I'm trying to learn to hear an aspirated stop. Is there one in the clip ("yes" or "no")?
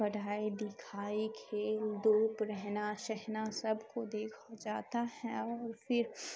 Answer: yes